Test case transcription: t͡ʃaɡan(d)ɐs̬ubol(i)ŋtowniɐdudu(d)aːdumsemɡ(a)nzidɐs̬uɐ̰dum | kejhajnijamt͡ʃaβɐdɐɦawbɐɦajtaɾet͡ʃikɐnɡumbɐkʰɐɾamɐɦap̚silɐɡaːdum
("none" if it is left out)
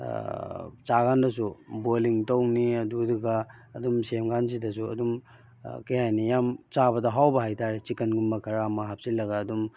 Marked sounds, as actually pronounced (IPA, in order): d, i, ɡ, a

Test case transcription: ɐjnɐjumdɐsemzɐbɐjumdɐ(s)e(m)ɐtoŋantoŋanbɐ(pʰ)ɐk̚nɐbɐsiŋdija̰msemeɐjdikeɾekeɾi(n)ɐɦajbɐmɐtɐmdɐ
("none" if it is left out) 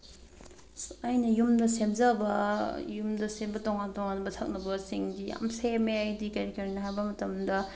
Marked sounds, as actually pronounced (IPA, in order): s, b, tʰ, n

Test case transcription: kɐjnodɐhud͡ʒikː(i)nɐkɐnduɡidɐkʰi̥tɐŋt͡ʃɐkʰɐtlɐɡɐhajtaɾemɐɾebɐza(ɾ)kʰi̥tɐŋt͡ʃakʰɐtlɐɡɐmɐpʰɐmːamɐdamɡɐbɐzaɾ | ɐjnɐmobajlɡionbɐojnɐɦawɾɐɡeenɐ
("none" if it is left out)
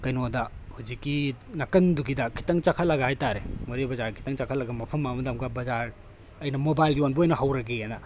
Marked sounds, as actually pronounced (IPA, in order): i, ɾ

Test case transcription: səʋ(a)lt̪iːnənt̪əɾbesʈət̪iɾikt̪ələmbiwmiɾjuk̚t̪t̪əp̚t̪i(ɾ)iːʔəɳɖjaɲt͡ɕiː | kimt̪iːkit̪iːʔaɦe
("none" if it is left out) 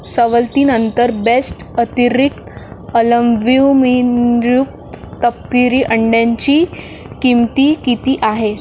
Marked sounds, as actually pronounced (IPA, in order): ə, ɾ

